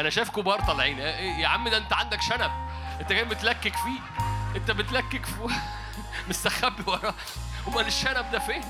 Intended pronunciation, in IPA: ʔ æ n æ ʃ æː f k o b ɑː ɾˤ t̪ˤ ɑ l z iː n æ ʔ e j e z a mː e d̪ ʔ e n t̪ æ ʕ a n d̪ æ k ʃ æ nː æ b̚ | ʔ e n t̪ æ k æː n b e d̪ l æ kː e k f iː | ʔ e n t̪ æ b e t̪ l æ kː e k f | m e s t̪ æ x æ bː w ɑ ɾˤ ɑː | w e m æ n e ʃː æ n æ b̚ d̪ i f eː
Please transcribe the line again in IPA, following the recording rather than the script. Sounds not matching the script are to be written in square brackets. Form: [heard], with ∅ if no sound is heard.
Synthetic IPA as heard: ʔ æ n æ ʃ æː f k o b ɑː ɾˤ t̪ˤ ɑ l [ʕ] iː n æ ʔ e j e [ʕ] a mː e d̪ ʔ e n t̪ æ ʕ a n d̪ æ k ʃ æ [n] æ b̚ | ʔ e n t̪ æ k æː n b e [t̪] l æ kː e k f iː | ʔ e n t̪ æ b e t̪ l æ kː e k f | m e s t̪ æ x æ bː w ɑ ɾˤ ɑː | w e m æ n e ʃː æ n æ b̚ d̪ [æ] f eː